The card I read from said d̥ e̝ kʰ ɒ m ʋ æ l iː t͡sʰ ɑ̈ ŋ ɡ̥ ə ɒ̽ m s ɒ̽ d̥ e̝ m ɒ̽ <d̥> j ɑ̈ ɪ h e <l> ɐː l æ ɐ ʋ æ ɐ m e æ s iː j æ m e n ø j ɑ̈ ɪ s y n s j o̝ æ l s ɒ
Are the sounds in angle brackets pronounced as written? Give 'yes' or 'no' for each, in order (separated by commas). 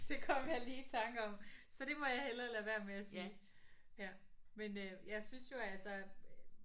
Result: no, yes